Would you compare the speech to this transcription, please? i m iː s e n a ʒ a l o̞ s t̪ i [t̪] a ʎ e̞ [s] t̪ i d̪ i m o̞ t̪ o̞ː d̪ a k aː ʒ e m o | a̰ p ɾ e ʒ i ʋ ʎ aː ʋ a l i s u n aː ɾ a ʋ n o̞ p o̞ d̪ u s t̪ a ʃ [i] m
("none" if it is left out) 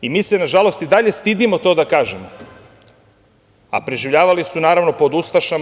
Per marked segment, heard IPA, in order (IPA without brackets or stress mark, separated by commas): d̪, s, a